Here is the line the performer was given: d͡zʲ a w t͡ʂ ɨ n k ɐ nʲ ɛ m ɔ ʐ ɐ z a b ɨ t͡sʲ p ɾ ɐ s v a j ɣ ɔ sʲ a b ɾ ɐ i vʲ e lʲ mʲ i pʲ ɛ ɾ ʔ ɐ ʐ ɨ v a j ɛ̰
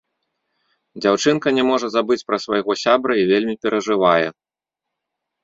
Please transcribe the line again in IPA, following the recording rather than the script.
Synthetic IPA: d͡zʲ a w t͡ʂ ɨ n k ɐ nʲ ɛ m ɔ ʐ ɐ z a b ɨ t͡sʲ p ɾ ɐ s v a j ɣ ɔ sʲ a b ɾ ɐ i vʲ e lʲ mʲ i pʲ ɛ ɾ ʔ ɐ ʐ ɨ v a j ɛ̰